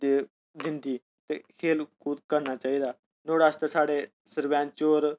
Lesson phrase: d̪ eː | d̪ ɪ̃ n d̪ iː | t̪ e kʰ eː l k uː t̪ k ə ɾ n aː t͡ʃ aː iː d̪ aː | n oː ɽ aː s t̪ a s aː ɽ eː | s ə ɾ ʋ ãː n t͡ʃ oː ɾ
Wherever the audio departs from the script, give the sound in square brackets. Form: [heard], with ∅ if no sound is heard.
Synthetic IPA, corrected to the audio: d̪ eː | d̪ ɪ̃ n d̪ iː | t̪ e kʰ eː l k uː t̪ k ə ɾ n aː t͡ʃ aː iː d̪ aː | n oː ɽ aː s t̪ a s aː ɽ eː | s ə ɾ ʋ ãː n t͡ʃ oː ɾ